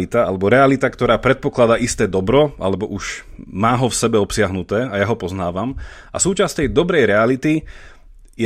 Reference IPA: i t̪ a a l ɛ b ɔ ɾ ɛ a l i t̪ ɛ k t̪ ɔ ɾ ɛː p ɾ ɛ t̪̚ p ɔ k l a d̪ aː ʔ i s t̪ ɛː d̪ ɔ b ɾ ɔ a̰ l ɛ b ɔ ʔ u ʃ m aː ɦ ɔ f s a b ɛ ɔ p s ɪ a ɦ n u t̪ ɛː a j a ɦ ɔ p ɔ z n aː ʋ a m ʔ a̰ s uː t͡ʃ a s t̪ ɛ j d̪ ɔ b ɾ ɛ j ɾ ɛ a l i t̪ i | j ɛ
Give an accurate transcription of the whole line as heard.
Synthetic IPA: i t̪ a a l ɛ b ɔ ɾ ɛ a l i t̪ a k t̪ ɔ ɾ aː p ɾ ɛ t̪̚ p ɔ k l a d̪ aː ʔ i s t̪ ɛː d̪ ɔ b ɾ ɔ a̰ l ɛ b ɔ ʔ u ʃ m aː ɦ ɔ f s ɛ b ɛ ɔ p s ɪ a ɦ n u t̪ ɛː a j a ɦ ɔ p ɔ z n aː ʋ a m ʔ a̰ s uː t͡ʃ a s t̪ ɛ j d̪ ɔ b ɾ ɛ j ɾ ɛ a l i t̪ i | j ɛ